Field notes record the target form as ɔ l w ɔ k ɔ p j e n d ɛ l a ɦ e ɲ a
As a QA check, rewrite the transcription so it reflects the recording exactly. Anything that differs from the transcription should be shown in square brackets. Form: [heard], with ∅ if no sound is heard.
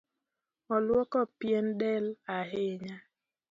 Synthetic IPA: ɔ l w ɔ k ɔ p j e n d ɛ l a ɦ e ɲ a